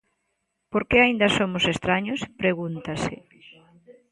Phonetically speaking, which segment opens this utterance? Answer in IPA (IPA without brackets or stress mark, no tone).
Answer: p